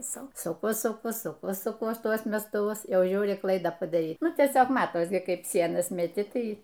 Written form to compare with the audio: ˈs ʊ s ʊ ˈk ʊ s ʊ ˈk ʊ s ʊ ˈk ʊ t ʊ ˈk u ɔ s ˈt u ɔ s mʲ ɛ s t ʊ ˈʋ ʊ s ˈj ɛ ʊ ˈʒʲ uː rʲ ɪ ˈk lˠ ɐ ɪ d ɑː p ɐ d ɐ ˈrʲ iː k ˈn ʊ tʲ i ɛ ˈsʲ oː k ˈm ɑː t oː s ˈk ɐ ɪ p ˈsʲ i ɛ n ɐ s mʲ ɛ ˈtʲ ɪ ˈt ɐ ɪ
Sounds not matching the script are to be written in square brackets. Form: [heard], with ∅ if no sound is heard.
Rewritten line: ˈs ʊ s ʊ ˈk ʊ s ʊ ˈk ʊ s ʊ ˈk ʊ [s] ʊ ˈk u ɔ s ˈt u ɔ s mʲ ɛ s t ʊ ˈʋ ʊ s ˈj ɛ ʊ ˈʒʲ uː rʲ ɪ ˈk lˠ ɐ ɪ d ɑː p ɐ d ɐ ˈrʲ iː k ˈn ʊ tʲ i ɛ ˈsʲ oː k ˈm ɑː t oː s ˈk ɐ ɪ p ˈsʲ i ɛ n ɐ s mʲ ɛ ˈtʲ ɪ ˈt ɐ ɪ